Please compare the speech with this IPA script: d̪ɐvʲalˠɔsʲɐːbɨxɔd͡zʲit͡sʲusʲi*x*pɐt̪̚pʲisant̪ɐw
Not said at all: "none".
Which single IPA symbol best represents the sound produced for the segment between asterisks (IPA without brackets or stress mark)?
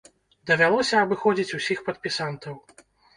x